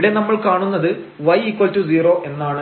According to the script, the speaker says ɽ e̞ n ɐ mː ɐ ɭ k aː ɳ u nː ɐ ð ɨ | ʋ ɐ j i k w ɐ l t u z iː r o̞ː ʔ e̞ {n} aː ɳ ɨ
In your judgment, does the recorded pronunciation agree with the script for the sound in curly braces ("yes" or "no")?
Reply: no